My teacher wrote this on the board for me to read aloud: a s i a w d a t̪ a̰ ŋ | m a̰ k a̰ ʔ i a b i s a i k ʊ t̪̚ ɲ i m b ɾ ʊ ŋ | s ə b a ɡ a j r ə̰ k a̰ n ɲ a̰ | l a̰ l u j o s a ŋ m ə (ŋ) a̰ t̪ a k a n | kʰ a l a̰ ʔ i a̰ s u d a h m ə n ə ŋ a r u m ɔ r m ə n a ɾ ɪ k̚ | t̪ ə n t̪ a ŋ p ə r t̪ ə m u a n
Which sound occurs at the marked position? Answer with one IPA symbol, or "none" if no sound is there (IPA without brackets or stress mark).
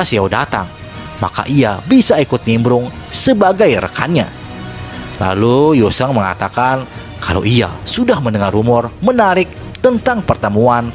ŋ